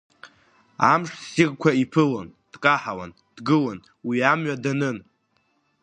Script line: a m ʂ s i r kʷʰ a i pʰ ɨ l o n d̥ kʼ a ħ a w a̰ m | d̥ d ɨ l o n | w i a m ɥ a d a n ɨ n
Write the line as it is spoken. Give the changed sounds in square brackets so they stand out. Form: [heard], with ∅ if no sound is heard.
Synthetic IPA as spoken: a m ʂ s i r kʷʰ a i pʰ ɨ l o n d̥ kʼ a ħ a w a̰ [n] | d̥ [ɡ] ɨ l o n | w i a m ɥ a d a n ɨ n